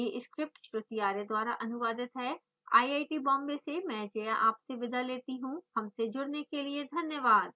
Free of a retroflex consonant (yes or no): no